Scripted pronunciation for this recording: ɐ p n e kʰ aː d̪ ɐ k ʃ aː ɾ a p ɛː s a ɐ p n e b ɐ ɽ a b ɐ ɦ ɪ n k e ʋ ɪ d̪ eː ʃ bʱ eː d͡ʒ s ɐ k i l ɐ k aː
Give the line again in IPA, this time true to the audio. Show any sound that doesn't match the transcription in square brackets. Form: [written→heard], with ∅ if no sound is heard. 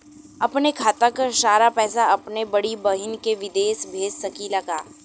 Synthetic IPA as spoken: ɐ p n e kʰ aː [d̪→t̪] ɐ k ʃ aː ɾ a p ɛː s a ɐ p n e b ɐ ɽ [a→i] b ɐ ɦ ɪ n k e ʋ ɪ d̪ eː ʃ bʱ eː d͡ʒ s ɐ k i l ɐ [k→ɡ] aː